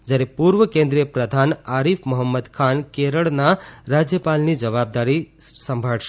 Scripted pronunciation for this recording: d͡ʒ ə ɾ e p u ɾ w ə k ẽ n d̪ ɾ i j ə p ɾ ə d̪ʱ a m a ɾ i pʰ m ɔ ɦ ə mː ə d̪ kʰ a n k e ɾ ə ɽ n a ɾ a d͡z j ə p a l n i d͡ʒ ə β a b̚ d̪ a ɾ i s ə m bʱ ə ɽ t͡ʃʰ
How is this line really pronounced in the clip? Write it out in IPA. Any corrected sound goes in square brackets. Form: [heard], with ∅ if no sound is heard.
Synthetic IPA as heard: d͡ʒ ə ɾ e p u ɾ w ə k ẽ n d̪ ɾ i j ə p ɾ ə d̪ʱ a [n] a ɾ i pʰ m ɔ ɦ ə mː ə d̪ kʰ a n k e ɾ ə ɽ n a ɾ a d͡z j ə p a l n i d͡ʒ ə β a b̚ d̪ a ɾ i s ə m bʱ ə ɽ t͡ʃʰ